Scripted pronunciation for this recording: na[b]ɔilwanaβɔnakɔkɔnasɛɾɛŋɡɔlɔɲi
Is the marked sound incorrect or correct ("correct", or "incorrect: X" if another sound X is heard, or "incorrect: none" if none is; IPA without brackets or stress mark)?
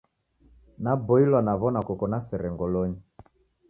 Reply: correct